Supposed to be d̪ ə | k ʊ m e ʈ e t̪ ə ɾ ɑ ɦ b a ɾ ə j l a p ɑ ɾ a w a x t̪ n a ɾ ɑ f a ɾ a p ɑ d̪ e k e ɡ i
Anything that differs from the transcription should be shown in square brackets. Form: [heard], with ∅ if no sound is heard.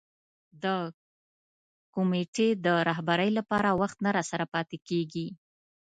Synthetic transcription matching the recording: d̪ ə | k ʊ m e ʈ e [d̪] ə ɾ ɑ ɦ b a ɾ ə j l a p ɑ ɾ a w a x t̪ n a ɾ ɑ [s] a ɾ a p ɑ [t̪] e k e ɡ i